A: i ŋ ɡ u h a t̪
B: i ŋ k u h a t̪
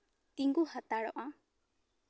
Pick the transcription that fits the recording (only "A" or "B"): A